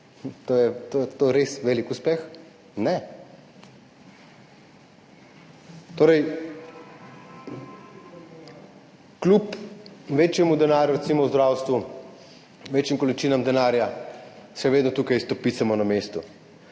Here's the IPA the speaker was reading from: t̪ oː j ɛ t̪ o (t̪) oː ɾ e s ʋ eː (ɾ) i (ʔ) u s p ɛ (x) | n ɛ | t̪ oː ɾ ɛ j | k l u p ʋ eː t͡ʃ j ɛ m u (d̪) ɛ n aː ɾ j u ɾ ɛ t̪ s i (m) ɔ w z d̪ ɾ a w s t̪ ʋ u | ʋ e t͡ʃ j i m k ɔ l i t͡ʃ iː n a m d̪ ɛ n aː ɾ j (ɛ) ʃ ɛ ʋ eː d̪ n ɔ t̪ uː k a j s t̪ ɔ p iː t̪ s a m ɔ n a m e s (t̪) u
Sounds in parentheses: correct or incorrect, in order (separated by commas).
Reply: correct, incorrect, incorrect, correct, correct, correct, incorrect, correct